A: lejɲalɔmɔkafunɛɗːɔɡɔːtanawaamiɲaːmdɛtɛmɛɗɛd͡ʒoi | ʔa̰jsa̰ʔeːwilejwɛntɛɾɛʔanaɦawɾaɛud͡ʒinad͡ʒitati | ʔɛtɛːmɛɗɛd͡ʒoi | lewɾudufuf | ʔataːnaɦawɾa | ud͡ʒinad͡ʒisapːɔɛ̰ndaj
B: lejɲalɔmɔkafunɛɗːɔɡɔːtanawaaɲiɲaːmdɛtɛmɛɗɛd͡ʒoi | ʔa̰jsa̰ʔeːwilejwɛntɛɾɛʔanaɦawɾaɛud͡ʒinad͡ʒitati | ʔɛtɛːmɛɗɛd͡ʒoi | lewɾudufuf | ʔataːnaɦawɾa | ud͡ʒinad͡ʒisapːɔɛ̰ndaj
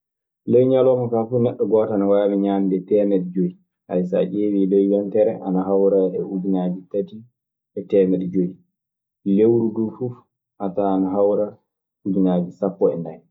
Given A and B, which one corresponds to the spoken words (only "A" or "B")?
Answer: A